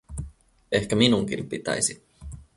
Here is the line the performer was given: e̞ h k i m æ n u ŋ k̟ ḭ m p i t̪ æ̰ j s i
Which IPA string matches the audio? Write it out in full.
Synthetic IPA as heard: e̞ h k æ m i n u ŋ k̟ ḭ m p i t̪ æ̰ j s i